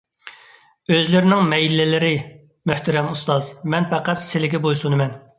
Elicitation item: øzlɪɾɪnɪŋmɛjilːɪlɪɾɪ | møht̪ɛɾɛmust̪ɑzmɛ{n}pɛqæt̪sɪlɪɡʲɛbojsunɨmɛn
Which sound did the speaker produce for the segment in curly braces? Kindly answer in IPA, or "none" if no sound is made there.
n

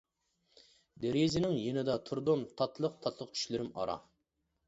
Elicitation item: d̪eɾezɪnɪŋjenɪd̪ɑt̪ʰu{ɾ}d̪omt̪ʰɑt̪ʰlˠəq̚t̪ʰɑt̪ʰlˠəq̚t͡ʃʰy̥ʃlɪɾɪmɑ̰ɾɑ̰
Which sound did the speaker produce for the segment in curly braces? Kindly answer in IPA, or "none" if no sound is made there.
ɾ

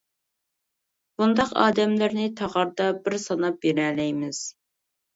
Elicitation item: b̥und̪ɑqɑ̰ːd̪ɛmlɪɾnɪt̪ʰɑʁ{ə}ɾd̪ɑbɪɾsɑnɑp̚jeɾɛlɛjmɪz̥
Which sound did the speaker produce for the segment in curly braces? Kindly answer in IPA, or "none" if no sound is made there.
ɑ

